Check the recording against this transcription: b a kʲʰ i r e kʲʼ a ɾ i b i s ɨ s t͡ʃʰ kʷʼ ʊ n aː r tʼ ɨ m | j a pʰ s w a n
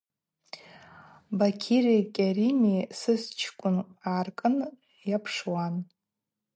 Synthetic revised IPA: b a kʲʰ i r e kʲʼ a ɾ i m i s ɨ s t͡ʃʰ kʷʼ ʊ n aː r kʼ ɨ n | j a pʰ ʂ w a n

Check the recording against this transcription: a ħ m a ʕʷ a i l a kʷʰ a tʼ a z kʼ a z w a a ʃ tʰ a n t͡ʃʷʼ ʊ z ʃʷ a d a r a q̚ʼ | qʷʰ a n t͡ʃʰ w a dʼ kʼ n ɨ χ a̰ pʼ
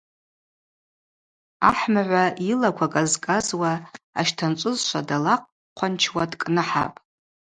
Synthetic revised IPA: a ħ m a ʕʷ a i l a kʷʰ a kʼ a z kʼ a z w a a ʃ tʰ a n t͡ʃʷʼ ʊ z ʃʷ a d a l a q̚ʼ | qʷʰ a n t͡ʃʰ w a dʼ kʼ n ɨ ħ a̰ pʼ

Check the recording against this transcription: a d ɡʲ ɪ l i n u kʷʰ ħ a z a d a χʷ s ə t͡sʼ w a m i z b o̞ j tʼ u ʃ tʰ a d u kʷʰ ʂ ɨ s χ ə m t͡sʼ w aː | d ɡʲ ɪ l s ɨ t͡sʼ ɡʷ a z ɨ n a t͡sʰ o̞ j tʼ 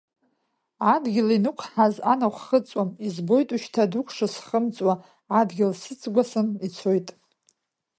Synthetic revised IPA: a d ɡʲ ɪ l i n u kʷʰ ħ a z a n a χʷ χ ə t͡sʼ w a m i z b o̞ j tʼ u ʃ tʰ a d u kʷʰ ʂ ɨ s χ ə m t͡sʼ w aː | d ɡʲ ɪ l s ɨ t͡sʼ ɡʷ a s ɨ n i t͡sʰ o̞ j tʼ

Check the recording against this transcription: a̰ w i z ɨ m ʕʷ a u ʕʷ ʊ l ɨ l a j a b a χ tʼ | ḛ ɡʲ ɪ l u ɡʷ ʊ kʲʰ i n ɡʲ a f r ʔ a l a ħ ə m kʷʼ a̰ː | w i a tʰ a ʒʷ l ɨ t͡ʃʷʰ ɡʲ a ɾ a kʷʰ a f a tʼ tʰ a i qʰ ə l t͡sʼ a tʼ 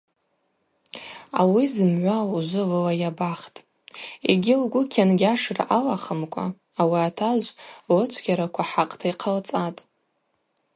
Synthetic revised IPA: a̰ w i z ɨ m ʕʷ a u ʒʷ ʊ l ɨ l a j a b a χ tʼ | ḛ ɡʲ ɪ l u ɡʷ ʊ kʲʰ a n ɡʲ a ʂ r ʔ a l a χ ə m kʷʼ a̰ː | w i a tʰ a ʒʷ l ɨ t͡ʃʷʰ ɡʲ a ɾ a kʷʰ a ħ a qʼ tʰ a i qʰ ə l t͡sʼ a tʼ

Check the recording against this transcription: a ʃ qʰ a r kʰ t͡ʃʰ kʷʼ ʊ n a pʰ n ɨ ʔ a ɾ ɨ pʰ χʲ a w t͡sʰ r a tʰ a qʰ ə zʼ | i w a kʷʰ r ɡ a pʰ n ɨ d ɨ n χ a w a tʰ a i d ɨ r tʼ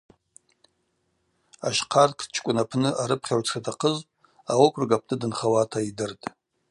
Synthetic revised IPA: a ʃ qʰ a r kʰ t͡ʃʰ kʷʼ ʊ n a pʰ n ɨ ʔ a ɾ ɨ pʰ χʲ a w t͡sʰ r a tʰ a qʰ ə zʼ | a w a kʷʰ r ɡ a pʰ n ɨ d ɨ n χ a w a tʰ a i d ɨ r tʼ

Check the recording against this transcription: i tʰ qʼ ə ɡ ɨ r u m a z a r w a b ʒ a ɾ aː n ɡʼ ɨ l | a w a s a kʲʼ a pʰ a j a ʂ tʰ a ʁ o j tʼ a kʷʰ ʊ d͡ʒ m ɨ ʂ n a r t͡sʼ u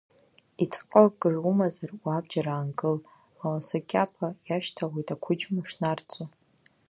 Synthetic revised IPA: i tʰ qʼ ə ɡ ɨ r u m a z a r w a b d͡ʒ a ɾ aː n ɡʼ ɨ l | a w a s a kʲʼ a pʰ a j a ʃ tʰ a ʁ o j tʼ a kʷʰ ʊ d͡ʒ m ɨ ʂ n a r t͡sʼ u

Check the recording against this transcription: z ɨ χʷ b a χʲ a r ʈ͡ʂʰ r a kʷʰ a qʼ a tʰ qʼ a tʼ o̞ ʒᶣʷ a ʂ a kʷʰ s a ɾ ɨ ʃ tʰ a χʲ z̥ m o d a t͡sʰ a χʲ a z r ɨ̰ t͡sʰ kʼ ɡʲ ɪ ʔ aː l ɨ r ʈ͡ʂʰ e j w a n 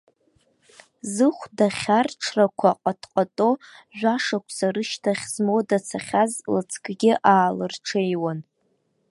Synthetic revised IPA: z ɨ χʷ d a χʲ a r ʈ͡ʂʰ r a kʷʰ a qʼ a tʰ qʼ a tʼ o̞ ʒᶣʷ a ʂ a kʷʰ s a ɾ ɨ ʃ tʰ a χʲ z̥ m o d a t͡sʰ a χʲ a z l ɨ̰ t͡sʰ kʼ ɡʲ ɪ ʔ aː l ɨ r ʈ͡ʂʰ e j w a n

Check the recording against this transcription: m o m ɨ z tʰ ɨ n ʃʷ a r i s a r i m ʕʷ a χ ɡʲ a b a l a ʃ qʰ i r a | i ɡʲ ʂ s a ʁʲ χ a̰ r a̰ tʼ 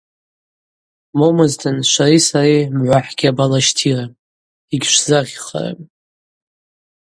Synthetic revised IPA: m o m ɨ z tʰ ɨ n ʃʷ a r i s a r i m ʕʷ a ħ ɡʲ a b a l a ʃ tʰ i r a | i ɡʲ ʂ z a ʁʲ χ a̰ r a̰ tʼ

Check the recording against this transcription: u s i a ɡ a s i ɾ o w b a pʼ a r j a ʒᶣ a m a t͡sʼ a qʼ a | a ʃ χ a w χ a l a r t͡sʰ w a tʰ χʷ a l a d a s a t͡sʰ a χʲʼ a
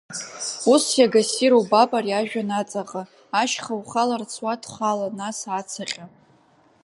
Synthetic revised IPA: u s j a ɡ a s i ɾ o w b a pʼ a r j a ʒᶣ a n a t͡sʼ a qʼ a | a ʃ χ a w χ a l a r t͡sʰ w a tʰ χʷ a l a n a s a t͡sʰ a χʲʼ a

